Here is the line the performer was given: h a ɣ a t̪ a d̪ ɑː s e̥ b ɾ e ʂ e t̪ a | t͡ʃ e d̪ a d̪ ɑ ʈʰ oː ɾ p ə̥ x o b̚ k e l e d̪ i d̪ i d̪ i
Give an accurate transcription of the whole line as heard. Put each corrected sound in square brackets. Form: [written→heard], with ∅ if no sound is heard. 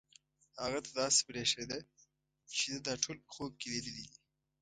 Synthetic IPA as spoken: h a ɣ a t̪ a d̪ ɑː s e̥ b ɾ e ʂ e [t̪→d̪] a | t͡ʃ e d̪ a d̪ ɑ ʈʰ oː [ɾ→l] p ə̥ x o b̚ k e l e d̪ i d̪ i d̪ i

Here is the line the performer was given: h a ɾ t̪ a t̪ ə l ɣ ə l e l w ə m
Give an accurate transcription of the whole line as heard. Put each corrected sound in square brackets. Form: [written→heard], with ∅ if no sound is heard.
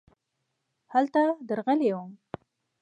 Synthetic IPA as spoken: h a [ɾ→l] t̪ a [t̪→d̪] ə [l→ɾ] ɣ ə l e [l→∅] w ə m

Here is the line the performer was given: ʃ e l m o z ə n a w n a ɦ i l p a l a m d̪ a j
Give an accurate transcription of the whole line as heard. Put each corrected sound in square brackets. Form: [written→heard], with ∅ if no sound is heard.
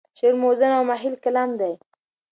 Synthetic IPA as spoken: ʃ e [l→ɾ] m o z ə n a w [n→m] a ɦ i l [p→k] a l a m d̪ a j

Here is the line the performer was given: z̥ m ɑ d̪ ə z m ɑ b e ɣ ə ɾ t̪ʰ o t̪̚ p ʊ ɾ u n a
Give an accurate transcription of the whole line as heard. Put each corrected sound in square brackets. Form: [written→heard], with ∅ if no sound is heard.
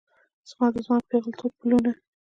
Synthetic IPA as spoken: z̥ m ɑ d̪ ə z m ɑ [b→p] e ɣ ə [ɾ→l] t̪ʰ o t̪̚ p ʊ [ɾ→l] u n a

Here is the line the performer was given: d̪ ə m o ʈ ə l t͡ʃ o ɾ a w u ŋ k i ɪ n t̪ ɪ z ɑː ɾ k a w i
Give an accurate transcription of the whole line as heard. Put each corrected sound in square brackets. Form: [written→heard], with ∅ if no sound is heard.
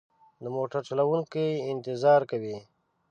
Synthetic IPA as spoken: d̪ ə m o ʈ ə [l→ɾ] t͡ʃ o [ɾ→l] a w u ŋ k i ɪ n t̪ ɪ z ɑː ɾ k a w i

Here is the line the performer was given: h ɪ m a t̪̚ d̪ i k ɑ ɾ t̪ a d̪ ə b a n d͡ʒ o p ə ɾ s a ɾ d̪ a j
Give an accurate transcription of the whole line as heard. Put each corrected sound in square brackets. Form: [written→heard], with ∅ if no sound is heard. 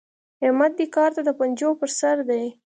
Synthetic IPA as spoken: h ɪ m a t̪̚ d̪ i k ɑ ɾ t̪ a d̪ ə [b→p] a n d͡ʒ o p ə ɾ s a ɾ d̪ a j

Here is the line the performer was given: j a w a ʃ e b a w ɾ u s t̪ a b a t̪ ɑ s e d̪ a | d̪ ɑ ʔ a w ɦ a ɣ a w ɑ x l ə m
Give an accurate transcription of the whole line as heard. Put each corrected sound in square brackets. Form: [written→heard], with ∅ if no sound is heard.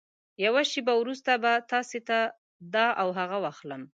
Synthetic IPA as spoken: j a w a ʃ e b a w ɾ u s t̪ a b a t̪ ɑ s e [d̪→t̪] a | d̪ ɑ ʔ a w ɦ a ɣ a w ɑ x l ə m

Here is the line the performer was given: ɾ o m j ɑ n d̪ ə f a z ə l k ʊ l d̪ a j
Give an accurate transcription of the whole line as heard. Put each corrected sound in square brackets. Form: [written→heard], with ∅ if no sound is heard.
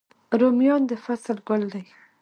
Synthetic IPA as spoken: ɾ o m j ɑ n d̪ ə f a [z→s] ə l [k→ɡ] ʊ l d̪ a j

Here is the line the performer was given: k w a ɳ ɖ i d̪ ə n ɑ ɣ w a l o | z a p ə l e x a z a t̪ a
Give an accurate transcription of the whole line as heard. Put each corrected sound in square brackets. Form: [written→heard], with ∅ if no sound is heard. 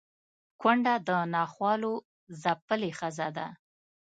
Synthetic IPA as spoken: k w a ɳ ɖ [i→a] d̪ ə n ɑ [ɣ→x] w [a→ɑ] l o | z a p ə l e x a z a [t̪→d̪] a

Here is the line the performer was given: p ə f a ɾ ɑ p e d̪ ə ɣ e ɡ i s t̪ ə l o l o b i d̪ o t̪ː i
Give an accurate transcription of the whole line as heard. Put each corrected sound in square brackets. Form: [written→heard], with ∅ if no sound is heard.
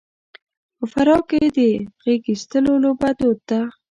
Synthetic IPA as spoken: p ə f a ɾ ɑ [p→k] e d̪ ə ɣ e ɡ i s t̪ ə l o l o b [i→a] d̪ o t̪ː [i→a]

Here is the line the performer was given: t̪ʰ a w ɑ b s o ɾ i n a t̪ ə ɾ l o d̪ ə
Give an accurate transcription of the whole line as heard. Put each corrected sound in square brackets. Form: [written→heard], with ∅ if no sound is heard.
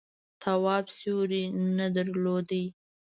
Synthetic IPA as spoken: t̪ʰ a w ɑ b s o ɾ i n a [t̪→d̪] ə ɾ l o d̪ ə

